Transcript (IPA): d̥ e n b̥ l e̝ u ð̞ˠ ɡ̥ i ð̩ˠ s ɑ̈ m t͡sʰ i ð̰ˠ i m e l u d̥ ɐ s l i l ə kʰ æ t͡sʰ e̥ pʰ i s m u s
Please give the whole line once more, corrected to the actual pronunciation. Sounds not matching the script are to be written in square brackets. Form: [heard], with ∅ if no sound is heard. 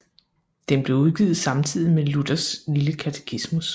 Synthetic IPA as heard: d̥ e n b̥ l e̝ u ð̞ˠ ɡ̥ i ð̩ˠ s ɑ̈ m t͡sʰ i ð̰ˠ i m e l u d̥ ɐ s l i l ə kʰ æ t͡sʰ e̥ [kʰ] i s m u s